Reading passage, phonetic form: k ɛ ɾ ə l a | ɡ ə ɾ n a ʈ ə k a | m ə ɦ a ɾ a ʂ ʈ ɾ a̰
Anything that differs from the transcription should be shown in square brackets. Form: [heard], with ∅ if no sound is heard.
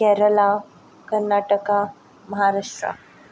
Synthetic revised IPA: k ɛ ɾ ə l a | [k] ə ɾ n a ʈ ə k a | m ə ɦ a ɾ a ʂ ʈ ɾ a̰